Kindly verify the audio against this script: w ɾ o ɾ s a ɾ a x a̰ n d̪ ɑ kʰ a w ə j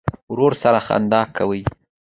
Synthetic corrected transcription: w ɾ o ɾ s a ɾ a x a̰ n d̪ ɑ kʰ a w ə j